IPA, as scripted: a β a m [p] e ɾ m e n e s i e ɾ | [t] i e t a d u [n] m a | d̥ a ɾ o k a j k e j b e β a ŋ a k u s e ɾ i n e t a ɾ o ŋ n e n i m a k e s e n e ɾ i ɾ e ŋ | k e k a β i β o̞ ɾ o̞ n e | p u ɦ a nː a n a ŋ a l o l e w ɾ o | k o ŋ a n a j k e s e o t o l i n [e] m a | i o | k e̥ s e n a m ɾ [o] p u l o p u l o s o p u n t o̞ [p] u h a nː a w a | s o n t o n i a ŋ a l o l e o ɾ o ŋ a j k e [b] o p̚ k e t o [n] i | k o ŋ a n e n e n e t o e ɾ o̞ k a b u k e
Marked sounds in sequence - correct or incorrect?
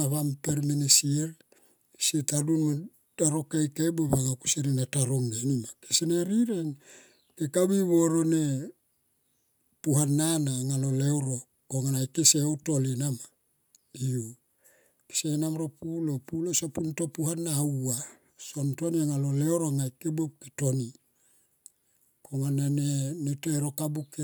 correct, incorrect, correct, incorrect, correct, correct, correct, correct

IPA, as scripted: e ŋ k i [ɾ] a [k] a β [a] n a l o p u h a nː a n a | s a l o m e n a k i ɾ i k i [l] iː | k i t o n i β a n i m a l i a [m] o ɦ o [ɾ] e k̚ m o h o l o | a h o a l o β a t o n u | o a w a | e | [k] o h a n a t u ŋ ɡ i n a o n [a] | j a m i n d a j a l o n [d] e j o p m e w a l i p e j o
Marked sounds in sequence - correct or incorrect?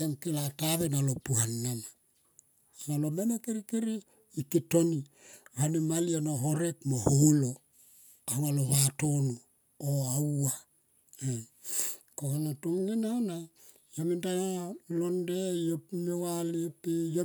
incorrect, incorrect, incorrect, incorrect, incorrect, correct, correct, correct, correct

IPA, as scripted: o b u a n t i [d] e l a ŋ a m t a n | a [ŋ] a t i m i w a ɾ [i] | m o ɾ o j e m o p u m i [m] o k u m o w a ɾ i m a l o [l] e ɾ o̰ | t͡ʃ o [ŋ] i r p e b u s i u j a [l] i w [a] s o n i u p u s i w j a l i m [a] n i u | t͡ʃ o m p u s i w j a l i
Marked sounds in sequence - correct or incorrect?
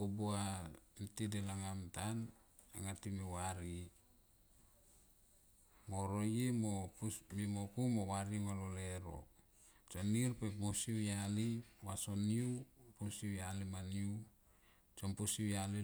correct, correct, correct, correct, correct, incorrect, correct, correct, correct

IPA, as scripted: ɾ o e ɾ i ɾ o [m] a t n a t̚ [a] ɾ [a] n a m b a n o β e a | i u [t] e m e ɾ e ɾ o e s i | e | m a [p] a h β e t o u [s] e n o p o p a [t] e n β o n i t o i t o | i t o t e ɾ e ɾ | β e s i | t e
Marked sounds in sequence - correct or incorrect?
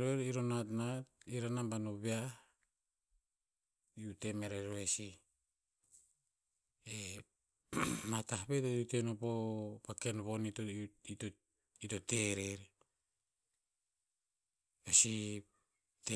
incorrect, incorrect, correct, correct, incorrect, incorrect, incorrect

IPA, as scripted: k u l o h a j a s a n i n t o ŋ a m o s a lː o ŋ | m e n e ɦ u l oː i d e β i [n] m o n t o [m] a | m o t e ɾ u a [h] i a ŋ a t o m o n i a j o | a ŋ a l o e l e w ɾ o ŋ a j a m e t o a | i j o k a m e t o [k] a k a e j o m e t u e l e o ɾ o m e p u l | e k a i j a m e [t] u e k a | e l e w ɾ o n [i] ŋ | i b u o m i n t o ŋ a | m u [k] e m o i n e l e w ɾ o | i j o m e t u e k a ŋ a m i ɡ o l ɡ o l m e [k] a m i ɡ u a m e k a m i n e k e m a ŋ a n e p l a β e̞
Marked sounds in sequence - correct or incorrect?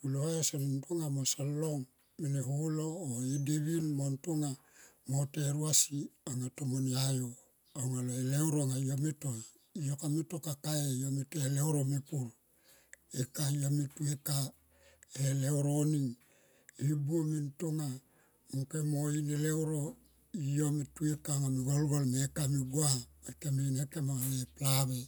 correct, incorrect, incorrect, correct, correct, correct, correct, correct

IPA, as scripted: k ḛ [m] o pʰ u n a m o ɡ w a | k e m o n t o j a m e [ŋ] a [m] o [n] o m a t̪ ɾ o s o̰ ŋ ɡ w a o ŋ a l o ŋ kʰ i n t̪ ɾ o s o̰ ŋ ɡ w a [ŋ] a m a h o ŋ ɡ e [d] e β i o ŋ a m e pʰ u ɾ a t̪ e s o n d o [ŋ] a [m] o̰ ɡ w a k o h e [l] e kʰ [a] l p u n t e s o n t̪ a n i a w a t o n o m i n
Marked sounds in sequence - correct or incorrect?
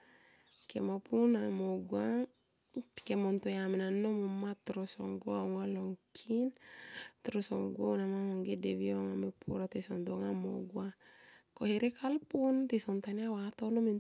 correct, incorrect, incorrect, incorrect, incorrect, correct, correct, correct, incorrect, correct

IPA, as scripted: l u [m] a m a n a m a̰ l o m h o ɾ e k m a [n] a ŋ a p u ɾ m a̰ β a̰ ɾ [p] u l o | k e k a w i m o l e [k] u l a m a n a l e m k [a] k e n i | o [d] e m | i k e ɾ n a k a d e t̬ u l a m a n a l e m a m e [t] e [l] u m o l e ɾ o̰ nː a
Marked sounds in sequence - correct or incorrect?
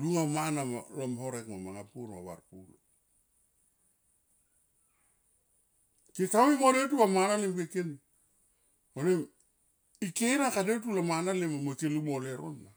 incorrect, incorrect, correct, incorrect, incorrect, incorrect, incorrect, correct

